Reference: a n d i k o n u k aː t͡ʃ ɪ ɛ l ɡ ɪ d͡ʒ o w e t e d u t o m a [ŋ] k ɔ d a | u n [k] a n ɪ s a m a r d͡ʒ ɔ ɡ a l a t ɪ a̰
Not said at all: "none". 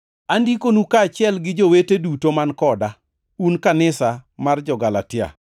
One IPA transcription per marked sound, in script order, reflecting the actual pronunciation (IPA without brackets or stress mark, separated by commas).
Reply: n, k